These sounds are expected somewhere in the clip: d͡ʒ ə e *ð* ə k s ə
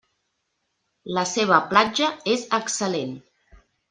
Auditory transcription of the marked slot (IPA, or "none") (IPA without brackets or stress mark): z